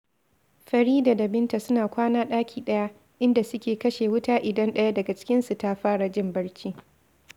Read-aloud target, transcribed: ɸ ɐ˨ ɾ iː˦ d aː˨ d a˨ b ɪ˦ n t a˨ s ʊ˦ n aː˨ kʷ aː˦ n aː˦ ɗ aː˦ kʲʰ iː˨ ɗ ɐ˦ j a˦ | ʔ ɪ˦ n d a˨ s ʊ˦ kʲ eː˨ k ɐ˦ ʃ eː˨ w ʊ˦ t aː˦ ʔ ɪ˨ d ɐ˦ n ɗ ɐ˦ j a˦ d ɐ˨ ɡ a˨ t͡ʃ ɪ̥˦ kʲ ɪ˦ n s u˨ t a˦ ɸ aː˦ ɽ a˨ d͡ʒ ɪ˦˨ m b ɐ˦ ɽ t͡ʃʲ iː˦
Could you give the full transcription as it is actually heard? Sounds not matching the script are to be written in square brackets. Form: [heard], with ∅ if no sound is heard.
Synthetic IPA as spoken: ɸ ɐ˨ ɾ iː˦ d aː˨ d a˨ b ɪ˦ n t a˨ s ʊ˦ n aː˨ kʷ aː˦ n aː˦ ɗ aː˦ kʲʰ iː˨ ɗ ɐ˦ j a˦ | ʔ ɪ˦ n d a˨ s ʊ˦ kʲ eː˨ k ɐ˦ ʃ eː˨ w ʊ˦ t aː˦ ʔ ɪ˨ d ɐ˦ n ɗ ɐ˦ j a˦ d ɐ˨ ɡ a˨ t͡ʃ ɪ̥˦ kʲ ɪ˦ n s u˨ t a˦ ɸ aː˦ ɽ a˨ d͡ʒ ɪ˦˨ m b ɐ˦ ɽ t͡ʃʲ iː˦